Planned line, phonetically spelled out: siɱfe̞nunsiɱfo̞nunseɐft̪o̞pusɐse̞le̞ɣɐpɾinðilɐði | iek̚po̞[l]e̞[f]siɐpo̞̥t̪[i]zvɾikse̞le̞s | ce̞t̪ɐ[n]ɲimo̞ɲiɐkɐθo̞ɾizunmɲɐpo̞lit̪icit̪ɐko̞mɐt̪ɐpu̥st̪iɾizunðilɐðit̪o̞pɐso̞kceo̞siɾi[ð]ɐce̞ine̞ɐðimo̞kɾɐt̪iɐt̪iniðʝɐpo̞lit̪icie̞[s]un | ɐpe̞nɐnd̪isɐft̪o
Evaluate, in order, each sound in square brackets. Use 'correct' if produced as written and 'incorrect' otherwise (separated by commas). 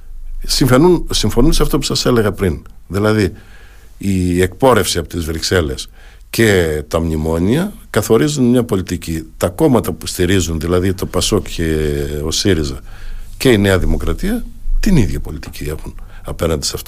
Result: incorrect, correct, correct, incorrect, incorrect, incorrect